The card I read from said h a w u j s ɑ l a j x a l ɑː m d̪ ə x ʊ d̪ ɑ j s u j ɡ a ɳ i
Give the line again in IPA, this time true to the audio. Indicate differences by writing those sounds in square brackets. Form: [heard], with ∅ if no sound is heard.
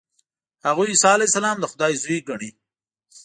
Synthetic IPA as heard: h a [ɣ] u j s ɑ l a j [s] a l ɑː m d̪ ə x ʊ d̪ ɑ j [z] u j ɡ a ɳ i